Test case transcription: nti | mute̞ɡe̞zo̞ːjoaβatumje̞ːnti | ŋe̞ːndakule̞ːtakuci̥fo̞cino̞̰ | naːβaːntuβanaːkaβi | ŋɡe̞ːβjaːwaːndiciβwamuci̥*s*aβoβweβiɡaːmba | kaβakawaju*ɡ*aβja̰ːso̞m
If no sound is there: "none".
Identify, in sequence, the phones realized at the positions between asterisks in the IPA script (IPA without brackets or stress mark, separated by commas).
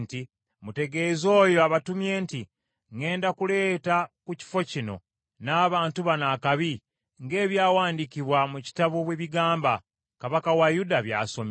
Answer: t, d